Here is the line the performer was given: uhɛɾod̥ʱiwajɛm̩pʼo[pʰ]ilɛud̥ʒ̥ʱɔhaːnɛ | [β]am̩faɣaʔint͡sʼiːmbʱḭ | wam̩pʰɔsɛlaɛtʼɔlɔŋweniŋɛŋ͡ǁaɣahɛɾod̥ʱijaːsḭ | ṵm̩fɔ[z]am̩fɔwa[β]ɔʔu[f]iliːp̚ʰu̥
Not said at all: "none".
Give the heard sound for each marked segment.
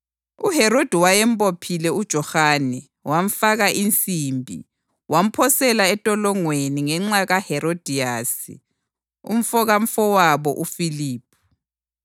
pʰ, w, ɣ, β, f

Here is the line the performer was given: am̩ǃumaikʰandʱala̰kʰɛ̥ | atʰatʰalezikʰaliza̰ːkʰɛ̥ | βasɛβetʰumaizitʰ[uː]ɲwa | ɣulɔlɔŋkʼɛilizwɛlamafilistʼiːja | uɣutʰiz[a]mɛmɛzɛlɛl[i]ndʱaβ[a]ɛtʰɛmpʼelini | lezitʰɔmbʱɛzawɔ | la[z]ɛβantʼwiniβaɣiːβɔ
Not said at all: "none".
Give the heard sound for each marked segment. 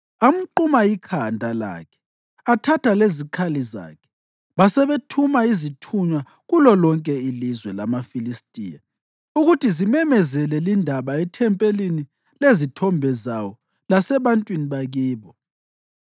u, i, i, a, s

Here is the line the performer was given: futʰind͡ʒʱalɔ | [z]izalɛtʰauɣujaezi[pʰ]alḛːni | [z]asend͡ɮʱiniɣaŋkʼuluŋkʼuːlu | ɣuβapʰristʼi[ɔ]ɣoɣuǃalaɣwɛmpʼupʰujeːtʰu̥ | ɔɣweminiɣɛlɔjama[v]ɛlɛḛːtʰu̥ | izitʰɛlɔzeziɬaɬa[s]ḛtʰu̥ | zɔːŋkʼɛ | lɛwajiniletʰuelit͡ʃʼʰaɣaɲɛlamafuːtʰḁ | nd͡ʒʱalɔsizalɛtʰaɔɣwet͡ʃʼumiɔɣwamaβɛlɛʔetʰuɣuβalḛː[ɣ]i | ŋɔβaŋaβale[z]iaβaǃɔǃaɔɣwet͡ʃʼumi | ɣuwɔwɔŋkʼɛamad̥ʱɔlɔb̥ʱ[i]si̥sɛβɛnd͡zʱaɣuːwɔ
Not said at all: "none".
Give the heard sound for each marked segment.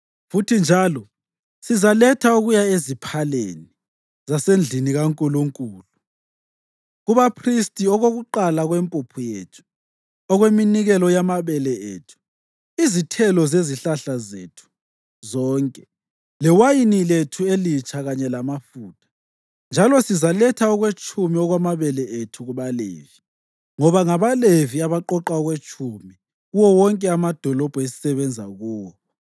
s, pʰ, z, ɔ, β, z, v, v, e

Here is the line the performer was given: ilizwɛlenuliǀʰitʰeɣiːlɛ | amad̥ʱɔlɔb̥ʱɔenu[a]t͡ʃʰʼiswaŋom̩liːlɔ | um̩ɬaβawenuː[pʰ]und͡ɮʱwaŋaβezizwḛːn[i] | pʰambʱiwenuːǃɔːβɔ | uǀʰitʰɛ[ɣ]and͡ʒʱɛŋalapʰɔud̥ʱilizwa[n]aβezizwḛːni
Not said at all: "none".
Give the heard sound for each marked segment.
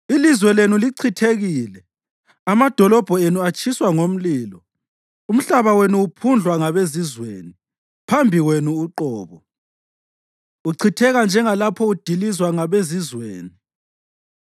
a, pʰ, i, ɣ, ŋ

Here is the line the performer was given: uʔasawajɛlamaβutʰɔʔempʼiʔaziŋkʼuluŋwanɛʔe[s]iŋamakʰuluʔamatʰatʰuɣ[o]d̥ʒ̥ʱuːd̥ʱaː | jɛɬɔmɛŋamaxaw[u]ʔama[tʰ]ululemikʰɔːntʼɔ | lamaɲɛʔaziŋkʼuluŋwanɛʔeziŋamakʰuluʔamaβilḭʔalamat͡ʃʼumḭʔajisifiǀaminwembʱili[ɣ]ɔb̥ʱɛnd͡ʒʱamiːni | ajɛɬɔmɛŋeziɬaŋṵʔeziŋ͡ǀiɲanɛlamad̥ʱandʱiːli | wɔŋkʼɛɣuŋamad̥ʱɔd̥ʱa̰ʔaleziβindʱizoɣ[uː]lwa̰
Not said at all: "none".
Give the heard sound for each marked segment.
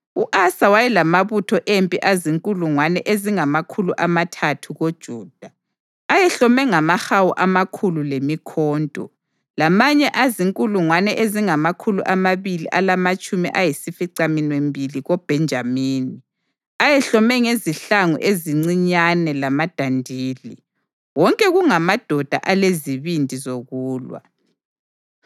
z, o, u, kʰ, ɣ, uː

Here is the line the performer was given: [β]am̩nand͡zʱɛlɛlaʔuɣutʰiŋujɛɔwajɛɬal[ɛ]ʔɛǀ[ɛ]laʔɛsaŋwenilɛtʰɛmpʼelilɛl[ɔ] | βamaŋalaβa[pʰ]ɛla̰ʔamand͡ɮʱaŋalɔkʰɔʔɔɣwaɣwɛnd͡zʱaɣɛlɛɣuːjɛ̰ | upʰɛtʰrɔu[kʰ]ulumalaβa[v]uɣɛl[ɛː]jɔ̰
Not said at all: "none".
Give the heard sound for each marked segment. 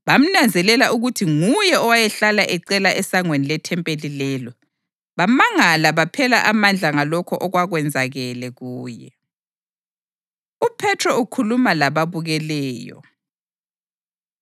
β, a, ɛ, ɔ, pʰ, kʰ, β, ɛː

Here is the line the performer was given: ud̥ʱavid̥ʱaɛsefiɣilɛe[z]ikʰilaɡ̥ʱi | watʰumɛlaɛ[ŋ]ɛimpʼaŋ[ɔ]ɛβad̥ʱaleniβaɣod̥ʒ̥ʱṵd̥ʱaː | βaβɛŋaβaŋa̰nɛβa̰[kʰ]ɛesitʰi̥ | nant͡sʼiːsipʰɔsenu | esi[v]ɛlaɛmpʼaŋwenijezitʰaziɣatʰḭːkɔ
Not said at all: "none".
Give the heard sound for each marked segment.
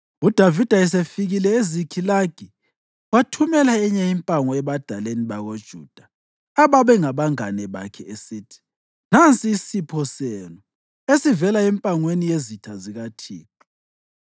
z, ɲ, ɔ, kʰ, v

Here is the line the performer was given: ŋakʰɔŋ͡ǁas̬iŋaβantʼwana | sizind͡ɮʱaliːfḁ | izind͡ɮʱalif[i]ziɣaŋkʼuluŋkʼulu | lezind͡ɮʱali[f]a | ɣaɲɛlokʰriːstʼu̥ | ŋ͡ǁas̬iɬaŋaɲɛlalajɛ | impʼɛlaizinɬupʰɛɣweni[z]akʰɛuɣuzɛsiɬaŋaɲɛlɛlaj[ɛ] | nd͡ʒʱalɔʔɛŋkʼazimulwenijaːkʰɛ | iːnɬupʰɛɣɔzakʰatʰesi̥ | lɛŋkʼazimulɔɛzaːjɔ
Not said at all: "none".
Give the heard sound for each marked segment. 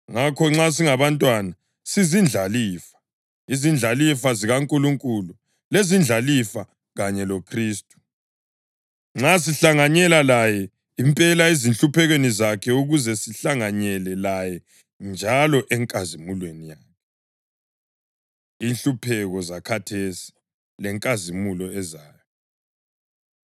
a, f, z, ɛ

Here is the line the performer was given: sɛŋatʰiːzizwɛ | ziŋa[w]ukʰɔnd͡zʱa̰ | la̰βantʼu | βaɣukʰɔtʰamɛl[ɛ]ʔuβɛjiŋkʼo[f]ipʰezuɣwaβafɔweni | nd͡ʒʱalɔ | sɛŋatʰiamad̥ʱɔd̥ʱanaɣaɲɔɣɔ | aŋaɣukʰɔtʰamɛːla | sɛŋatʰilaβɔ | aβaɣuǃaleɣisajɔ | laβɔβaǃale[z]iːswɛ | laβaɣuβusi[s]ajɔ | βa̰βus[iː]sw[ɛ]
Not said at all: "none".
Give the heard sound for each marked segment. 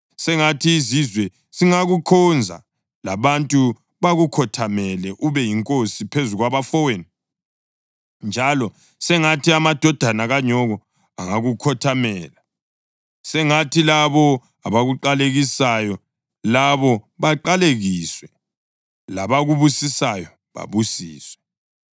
ɣ, ɛ, s, ɣ, s, iː, ɛ

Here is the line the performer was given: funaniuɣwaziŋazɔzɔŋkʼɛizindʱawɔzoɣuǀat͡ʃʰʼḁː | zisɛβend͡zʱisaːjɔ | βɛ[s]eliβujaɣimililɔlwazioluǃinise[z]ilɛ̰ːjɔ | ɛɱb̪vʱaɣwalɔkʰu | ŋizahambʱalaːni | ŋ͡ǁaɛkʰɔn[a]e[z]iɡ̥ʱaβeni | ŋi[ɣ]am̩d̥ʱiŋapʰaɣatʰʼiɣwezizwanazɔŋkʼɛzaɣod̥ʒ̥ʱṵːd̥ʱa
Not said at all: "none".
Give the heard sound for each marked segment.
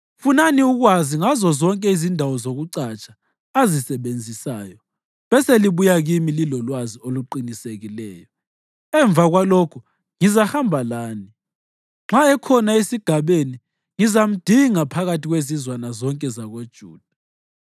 s, ɣ, a, s, z

